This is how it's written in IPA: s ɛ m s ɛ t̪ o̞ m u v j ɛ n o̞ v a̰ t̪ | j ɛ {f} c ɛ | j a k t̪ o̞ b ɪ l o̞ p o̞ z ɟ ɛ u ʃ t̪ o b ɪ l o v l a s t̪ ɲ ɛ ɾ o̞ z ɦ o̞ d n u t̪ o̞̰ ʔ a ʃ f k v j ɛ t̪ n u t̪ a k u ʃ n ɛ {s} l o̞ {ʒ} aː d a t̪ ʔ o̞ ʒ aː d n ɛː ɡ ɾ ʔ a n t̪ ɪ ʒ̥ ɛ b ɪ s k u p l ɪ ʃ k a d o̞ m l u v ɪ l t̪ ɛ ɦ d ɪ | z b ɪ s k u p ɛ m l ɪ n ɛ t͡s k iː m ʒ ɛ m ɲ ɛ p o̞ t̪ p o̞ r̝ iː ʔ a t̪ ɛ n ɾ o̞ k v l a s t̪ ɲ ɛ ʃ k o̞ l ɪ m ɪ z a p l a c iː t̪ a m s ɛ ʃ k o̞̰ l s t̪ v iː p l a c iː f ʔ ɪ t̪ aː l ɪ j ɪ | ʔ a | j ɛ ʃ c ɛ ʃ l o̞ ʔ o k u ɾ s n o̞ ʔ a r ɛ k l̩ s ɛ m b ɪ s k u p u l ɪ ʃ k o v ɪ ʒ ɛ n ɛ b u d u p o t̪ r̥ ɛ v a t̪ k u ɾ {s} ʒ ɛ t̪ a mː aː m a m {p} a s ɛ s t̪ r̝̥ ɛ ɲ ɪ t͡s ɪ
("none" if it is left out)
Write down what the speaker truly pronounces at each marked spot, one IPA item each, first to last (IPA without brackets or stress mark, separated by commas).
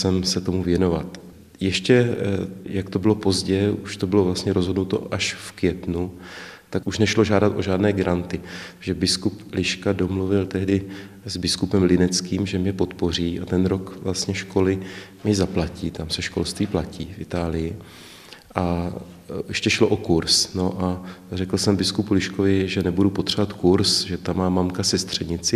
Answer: ʃ, ʃ, ʒ, s, k